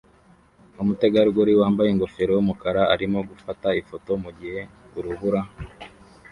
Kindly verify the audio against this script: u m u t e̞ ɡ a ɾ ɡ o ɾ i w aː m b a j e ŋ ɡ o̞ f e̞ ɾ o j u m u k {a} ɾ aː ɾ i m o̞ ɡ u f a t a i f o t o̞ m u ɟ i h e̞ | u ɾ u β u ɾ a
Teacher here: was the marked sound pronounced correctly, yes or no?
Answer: yes